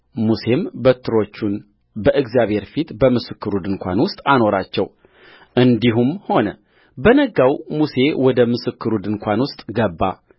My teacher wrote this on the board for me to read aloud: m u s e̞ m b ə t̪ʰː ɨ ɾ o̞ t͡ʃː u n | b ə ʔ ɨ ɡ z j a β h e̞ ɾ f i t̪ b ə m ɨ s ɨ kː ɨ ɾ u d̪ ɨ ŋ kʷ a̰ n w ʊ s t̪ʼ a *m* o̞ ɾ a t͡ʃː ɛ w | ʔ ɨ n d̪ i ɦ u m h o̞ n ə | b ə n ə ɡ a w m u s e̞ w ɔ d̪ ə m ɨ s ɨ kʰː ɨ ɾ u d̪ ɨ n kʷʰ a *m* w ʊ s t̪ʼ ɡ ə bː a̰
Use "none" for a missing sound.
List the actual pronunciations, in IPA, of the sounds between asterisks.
n, n

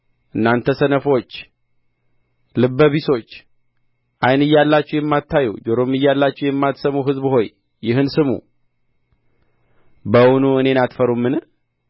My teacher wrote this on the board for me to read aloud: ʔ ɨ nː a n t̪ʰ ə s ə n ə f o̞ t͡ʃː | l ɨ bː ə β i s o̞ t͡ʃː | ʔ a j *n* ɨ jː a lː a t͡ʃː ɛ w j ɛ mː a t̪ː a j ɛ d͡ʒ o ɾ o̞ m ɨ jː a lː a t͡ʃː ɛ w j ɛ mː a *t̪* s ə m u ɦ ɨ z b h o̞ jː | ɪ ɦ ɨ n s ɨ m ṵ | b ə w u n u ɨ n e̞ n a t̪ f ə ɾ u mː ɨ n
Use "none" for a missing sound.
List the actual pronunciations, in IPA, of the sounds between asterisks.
n, t̪

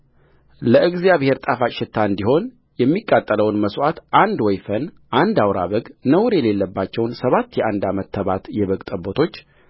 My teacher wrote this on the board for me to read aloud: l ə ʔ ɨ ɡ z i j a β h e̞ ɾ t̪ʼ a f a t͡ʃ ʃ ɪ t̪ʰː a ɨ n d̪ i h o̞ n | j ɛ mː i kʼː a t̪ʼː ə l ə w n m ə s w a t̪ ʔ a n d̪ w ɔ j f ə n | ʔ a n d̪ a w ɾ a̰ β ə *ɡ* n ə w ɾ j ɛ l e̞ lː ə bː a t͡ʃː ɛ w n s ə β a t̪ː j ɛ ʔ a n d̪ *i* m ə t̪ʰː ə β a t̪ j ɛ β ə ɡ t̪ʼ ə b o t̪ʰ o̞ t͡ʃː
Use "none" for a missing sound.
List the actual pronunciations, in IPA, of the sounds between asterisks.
ɡ, a

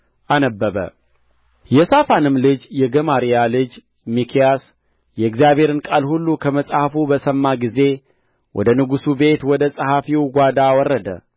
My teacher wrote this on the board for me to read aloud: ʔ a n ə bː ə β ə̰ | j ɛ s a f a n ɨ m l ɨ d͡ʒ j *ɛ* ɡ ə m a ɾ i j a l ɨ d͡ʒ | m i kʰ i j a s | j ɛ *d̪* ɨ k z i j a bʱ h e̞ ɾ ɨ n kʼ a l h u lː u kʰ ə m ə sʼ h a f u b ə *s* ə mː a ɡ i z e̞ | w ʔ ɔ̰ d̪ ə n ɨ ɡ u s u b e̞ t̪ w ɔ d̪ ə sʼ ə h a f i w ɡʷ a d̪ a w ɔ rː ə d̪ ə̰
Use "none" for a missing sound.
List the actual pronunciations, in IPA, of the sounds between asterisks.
ɛ, none, s

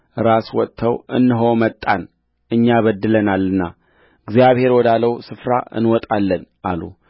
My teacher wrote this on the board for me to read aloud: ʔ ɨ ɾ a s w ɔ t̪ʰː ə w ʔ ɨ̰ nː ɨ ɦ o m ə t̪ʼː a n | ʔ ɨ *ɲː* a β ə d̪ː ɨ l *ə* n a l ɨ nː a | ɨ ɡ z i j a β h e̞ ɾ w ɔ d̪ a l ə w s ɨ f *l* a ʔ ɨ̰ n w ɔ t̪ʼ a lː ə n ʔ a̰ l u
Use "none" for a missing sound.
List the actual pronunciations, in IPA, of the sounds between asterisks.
ɲː, ə, ɾ

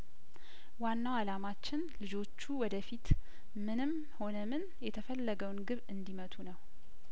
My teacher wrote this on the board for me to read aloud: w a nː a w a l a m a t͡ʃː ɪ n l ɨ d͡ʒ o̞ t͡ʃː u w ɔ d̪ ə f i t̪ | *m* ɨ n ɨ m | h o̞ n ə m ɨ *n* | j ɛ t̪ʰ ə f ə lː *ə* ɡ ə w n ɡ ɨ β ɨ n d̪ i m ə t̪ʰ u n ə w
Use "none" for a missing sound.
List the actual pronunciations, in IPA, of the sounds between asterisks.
m, n, ə

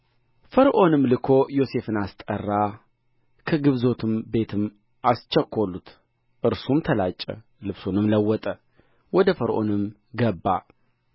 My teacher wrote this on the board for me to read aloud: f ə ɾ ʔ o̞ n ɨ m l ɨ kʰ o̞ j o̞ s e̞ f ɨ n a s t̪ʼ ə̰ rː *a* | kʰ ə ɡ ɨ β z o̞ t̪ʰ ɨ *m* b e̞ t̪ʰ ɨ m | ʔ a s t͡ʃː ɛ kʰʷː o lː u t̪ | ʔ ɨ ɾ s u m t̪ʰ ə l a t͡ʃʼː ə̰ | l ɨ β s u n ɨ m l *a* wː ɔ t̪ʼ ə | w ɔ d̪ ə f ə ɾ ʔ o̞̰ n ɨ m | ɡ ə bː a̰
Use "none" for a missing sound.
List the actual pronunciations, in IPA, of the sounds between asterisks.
a, m, ə

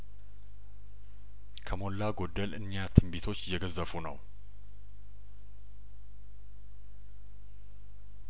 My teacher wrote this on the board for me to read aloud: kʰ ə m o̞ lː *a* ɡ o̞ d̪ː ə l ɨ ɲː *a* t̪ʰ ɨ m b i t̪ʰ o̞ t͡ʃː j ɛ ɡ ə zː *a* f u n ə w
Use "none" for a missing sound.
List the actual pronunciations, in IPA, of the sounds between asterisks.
a, a, ə

